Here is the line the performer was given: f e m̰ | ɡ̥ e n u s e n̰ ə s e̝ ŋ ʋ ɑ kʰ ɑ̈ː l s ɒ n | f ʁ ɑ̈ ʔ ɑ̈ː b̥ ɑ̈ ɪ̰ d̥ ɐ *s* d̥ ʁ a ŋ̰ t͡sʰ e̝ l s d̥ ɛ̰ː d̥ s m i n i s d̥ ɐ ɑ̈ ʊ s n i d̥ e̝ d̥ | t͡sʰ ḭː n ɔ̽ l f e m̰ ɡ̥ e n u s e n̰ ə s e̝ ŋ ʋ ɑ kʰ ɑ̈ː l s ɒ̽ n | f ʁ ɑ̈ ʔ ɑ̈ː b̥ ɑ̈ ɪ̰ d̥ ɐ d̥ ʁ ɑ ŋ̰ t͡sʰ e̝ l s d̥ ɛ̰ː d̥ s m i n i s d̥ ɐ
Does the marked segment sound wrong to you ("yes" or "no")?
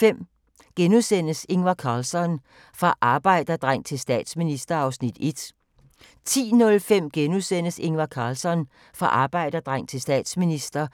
yes